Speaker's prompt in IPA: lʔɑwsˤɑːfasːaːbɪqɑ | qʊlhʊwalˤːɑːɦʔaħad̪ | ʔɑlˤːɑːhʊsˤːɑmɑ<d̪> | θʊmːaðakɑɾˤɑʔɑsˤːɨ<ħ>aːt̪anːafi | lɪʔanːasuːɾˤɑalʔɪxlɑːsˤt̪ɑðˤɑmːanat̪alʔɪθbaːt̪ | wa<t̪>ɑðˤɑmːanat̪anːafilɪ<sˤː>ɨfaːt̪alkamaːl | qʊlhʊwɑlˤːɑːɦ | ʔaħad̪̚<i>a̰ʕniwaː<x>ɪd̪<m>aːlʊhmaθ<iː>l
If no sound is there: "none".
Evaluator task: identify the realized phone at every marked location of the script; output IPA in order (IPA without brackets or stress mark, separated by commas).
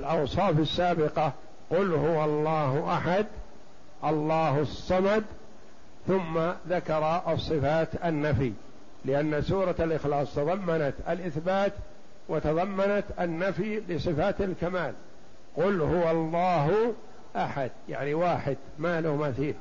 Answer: d̪, f, t̪, sˤ, j, ħ, m, iː